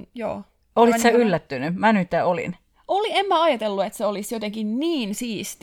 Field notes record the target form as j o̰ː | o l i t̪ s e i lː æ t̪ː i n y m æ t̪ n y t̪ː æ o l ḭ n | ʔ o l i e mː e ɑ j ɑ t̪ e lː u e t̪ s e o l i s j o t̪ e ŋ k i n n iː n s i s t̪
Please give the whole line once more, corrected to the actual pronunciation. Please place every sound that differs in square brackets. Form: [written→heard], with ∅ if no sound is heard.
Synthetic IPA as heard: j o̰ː | o l i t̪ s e [i→y] lː æ t̪ː [i→y] n y m æ [t̪→∅] n y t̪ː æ o l ḭ n | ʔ o l i e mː [e→æ] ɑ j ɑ t̪ e lː u e t̪ s e o l i s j o t̪ e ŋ k i n n iː n s [i→iː] s t̪